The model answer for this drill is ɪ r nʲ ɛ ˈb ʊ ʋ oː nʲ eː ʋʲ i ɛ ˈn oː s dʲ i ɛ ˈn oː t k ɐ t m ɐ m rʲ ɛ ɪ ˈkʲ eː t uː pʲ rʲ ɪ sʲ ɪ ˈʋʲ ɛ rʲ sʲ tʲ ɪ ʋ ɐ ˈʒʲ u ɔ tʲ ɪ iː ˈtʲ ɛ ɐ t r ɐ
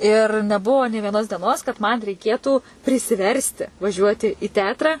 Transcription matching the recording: ɪ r nʲ ɛ ˈb ʊ ʋ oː nʲ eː ʋʲ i ɛ ˈn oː s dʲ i ɛ ˈn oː s k ɐ t m ɐ n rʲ ɛ ɪ ˈkʲ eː t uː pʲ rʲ ɪ sʲ ɪ ˈʋʲ ɛ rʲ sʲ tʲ ɪ ʋ ɐ ˈʒʲ u ɔ tʲ ɪ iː ˈtʲ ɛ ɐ t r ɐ